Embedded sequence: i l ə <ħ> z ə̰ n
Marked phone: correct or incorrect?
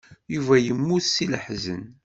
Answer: correct